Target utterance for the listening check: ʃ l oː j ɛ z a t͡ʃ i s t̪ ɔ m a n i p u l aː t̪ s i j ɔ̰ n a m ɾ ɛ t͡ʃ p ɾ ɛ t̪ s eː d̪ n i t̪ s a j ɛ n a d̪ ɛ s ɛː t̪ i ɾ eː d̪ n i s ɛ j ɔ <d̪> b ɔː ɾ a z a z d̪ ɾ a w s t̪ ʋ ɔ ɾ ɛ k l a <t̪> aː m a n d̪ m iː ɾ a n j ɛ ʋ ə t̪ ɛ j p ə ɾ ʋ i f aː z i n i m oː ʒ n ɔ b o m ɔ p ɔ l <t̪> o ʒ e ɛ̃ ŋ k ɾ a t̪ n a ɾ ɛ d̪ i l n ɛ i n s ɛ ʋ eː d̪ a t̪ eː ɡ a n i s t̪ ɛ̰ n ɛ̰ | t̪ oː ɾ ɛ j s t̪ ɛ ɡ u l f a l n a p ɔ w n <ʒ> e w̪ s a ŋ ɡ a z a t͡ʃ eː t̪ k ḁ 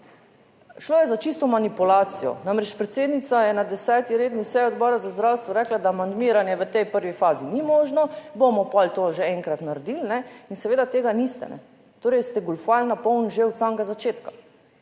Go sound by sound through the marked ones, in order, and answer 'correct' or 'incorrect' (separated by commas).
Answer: correct, incorrect, correct, correct